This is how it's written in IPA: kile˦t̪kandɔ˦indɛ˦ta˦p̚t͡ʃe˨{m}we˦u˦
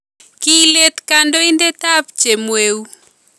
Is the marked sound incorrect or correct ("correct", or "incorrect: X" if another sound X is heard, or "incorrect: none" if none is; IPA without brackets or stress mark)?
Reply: correct